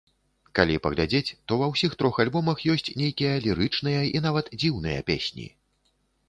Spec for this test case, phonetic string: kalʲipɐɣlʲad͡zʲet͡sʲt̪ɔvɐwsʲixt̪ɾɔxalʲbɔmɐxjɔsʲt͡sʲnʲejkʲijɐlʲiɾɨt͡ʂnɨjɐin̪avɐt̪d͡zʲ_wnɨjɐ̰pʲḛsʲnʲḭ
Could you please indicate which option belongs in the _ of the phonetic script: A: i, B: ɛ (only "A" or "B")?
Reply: A